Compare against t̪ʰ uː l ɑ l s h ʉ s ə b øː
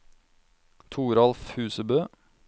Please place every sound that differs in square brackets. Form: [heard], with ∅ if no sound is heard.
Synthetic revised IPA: t̪ʰ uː [ɾ] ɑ l [f] h [ʉː] s ə b øː

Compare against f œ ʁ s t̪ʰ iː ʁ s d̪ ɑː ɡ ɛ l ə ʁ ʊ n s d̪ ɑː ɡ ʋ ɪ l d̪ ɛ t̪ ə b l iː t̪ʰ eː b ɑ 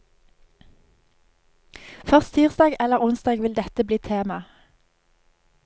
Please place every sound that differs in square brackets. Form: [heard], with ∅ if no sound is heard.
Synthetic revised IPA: f œ ʁ s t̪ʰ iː ʁ s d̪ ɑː ɡ ɛ l ə ʁ ʊ n s d̪ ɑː ɡ ʋ ɪ l d̪ ɛ t̪ ə b l iː t̪ʰ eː [m] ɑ

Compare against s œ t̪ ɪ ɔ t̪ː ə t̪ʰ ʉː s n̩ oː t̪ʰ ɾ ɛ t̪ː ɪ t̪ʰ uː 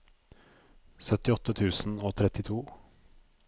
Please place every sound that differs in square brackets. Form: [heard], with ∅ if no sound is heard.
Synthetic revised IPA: s œ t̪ ɪ ɔ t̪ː ə t̪ʰ ʉː s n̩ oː t̪ʰ ɾ ɛ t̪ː ɪ t̪ʰ uː

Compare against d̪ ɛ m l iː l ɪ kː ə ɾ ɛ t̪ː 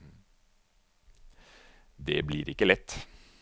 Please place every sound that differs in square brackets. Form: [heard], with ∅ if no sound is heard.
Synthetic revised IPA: d̪ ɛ [b] l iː [ɾ] ɪ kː ə [l] ɛ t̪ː

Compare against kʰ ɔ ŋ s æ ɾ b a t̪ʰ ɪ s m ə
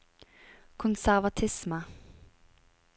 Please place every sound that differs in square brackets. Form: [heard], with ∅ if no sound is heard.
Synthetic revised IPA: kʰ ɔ [n] s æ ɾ [v] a t̪ʰ ɪ s m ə

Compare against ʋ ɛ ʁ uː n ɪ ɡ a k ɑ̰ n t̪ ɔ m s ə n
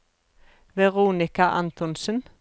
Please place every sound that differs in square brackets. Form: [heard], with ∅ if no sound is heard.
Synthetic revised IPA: ʋ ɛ ʁ uː n ɪ [k] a [ʔ] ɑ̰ n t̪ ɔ [n] s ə n

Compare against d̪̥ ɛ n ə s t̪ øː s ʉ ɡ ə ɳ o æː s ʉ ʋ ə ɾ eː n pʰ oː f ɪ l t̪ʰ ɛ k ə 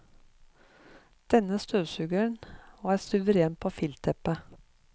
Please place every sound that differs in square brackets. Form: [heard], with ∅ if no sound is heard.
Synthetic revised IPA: d̪̥ ɛ n ə s t̪ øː s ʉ ɡ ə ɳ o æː s ʉ ʋ ə ɾ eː n pʰ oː f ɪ l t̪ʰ ɛ [p] ə

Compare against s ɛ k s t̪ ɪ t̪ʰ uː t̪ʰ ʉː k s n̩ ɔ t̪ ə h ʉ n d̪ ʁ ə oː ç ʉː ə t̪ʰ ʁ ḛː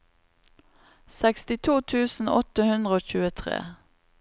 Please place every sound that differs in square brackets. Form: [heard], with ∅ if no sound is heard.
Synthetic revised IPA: s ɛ k s t̪ ɪ t̪ʰ uː t̪ʰ ʉː [∅] s n̩ ɔ t̪ ə h ʉ n d̪ ʁ ə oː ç ʉː ə t̪ʰ ʁ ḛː

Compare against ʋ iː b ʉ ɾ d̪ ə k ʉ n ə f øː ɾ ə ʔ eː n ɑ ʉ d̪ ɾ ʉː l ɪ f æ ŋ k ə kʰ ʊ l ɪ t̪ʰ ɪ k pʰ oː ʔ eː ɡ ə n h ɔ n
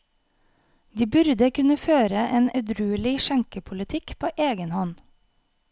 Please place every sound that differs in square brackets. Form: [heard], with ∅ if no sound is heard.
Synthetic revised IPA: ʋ iː b ʉ ɾ d̪ ə k ʉ n ə f øː ɾ ə ʔ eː n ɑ ʉ d̪ ɾ ʉː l ɪ [ʃ] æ ŋ k ə [pʰ] ʊ l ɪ t̪ʰ ɪ k pʰ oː ʔ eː ɡ ə n h ɔ n

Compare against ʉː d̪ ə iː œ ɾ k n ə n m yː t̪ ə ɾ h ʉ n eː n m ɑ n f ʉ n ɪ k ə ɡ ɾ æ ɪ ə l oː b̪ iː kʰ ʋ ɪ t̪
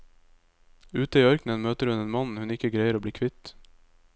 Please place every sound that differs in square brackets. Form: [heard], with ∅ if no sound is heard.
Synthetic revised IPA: ʉː [t̪] ə iː œ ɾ k n ə n m [øː] t̪ ə ɾ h ʉ n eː n m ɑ n [h] ʉ n ɪ k ə ɡ ɾ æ ɪ ə [ɾ] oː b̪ iː kʰ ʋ ɪ t̪

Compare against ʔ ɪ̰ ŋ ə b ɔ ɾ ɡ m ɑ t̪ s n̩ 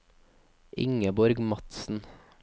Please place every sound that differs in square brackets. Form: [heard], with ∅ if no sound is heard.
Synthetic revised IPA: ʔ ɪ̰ ŋ ə b ɔ ɾ ɡ m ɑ t̪ s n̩

